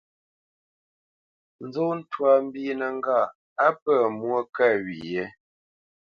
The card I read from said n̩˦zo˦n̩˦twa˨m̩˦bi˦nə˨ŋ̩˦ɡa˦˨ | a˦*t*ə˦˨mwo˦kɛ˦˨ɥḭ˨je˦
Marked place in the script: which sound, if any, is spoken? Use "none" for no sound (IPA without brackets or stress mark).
p